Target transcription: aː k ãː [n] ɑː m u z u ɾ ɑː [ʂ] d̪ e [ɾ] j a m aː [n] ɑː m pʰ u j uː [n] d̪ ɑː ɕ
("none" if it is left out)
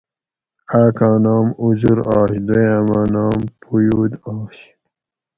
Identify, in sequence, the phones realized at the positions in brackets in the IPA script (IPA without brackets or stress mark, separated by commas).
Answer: n, ɕ, none, n, none